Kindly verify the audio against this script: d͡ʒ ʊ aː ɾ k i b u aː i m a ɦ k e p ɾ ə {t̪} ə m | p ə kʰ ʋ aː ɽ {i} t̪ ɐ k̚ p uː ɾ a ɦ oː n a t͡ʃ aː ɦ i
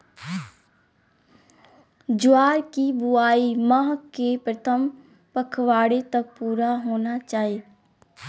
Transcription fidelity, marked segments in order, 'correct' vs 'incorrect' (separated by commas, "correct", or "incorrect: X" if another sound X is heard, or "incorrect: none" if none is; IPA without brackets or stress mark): incorrect: t̪ʰ, incorrect: e